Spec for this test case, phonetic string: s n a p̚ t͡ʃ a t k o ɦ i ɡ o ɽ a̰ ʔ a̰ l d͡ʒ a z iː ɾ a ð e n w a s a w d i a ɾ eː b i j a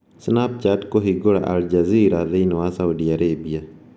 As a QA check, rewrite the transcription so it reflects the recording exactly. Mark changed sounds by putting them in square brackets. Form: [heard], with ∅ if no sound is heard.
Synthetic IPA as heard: s n a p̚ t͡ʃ a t k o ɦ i ɡ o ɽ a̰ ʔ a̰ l d͡ʒ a z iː ɾ a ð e n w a s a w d i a ɾ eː b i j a